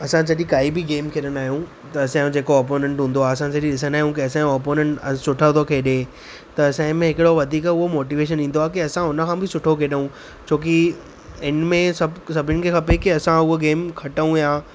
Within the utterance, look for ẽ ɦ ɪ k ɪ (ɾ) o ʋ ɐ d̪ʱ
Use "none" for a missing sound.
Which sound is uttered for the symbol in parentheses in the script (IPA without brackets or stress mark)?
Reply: ɽ